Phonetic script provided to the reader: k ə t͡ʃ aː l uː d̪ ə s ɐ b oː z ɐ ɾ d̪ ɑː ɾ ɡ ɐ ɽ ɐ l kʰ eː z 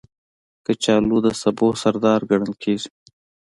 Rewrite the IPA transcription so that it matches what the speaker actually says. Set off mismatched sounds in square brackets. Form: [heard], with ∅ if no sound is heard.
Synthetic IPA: k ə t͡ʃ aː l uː d̪ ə s ɐ b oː [s] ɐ ɾ d̪ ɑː ɾ ɡ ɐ ɽ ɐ l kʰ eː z